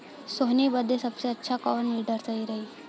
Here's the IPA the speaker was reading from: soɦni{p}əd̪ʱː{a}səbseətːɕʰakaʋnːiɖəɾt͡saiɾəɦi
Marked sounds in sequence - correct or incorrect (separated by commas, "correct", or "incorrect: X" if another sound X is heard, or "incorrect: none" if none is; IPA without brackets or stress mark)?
incorrect: b, incorrect: e